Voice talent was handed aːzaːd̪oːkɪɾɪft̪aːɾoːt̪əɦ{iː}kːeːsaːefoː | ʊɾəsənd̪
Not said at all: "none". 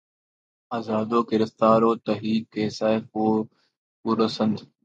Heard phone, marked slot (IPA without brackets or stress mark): iː